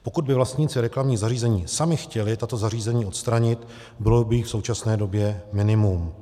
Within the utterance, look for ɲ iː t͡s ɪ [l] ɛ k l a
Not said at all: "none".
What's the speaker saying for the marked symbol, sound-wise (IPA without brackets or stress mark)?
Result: ɾ